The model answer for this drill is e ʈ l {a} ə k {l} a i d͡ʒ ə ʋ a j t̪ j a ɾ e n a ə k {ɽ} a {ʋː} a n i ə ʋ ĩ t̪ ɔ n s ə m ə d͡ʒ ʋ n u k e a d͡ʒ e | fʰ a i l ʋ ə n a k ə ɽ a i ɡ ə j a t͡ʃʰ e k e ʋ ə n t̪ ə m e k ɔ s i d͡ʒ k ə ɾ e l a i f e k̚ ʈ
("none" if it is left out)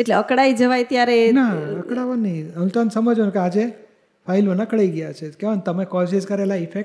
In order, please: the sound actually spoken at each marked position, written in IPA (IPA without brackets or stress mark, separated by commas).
e, ɽ, ɽ, ʋ